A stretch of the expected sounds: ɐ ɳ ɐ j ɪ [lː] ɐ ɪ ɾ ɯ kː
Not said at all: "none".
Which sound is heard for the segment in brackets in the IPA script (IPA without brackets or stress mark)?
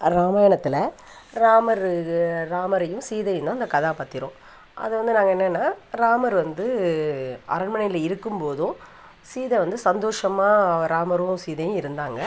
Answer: l